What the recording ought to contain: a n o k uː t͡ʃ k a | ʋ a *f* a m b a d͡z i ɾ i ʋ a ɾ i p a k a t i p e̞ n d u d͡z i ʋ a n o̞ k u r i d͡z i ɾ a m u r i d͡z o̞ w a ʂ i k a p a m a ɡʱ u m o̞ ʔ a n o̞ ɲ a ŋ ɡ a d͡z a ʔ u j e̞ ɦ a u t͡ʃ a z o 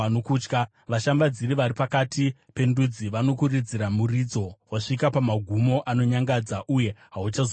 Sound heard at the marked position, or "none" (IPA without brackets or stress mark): ʃ